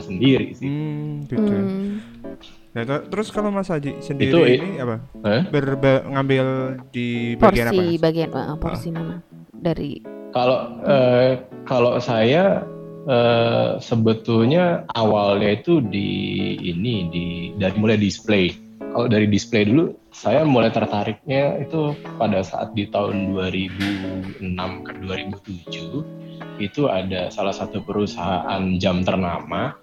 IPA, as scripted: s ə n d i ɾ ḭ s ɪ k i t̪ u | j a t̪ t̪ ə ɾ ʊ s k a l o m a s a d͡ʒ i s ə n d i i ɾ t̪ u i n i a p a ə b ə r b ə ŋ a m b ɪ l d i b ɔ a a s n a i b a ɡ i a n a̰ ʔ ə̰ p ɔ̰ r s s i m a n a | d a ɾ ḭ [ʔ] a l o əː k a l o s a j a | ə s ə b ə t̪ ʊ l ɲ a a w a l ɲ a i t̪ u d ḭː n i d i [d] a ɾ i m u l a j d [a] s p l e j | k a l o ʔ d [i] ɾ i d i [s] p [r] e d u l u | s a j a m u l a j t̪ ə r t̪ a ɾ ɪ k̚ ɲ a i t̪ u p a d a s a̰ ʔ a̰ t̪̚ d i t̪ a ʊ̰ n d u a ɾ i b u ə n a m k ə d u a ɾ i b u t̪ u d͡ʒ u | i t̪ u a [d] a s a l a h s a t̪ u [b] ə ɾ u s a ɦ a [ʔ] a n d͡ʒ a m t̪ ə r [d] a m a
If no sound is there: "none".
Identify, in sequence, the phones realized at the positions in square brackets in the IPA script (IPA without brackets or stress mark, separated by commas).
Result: k, d, i, a, s, l, d, p, ʔ, n